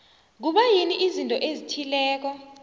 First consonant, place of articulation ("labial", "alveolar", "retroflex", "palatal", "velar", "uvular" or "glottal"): velar